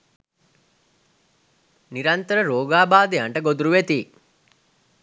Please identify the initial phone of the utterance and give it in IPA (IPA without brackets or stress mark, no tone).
n